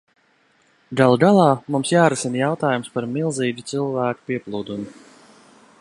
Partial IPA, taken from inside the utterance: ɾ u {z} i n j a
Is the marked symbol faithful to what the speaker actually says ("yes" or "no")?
no